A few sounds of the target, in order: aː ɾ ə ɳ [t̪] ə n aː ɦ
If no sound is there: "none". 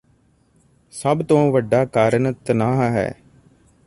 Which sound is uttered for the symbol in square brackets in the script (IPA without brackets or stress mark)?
t̪